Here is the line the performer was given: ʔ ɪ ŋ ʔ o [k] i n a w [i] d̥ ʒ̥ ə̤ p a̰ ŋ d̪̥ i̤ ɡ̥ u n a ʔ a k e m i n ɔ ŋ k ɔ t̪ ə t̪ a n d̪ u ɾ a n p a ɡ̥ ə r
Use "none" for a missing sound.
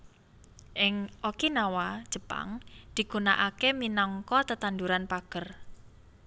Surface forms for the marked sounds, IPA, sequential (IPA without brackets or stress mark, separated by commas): k, a